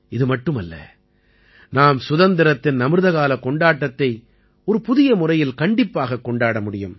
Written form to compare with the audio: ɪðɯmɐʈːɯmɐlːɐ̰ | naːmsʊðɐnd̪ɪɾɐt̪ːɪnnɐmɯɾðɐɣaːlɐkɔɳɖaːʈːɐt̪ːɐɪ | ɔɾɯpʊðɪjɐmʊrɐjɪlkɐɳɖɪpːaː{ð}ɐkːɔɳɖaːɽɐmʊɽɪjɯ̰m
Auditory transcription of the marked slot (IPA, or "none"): ɣ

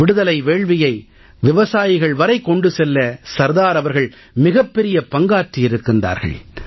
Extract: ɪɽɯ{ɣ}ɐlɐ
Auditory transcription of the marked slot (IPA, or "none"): ð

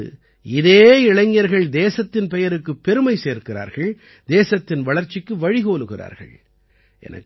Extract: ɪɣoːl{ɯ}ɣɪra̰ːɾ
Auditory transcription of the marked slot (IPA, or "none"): ɯ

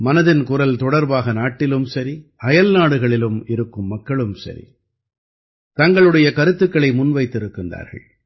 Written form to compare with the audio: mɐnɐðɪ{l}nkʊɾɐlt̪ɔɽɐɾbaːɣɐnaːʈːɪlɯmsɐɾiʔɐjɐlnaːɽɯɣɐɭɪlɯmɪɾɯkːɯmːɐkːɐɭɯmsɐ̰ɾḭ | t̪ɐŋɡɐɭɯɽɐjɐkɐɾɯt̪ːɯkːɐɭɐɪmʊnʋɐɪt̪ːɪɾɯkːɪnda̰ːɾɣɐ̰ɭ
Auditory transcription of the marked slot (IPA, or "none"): none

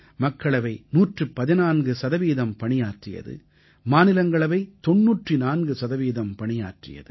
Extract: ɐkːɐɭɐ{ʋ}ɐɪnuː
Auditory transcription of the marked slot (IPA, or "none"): ʋ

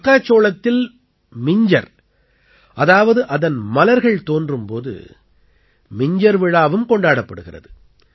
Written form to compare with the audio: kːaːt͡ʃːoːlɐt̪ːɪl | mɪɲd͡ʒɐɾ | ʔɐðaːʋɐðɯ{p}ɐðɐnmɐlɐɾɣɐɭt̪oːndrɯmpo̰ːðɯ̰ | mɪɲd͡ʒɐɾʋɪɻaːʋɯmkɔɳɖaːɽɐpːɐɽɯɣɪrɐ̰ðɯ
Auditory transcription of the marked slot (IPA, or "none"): ʔ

